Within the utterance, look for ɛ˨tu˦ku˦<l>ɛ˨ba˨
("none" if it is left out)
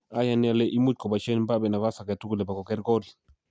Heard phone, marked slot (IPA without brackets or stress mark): l